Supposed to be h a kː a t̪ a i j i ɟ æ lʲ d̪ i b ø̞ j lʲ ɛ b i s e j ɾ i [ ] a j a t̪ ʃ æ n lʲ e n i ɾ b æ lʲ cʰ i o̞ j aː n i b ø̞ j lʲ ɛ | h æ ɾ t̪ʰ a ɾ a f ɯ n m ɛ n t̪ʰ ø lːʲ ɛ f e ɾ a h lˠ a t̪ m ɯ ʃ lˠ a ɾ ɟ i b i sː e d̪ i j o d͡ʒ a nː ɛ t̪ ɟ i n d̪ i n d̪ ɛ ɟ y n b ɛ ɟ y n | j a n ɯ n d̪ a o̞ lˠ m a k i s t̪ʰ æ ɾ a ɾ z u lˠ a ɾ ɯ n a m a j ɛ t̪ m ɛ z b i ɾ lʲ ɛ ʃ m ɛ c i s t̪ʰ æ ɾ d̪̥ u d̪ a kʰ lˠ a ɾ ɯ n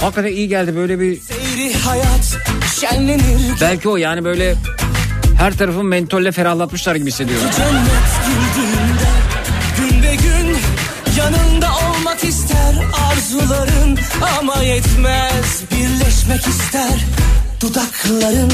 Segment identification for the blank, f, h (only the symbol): h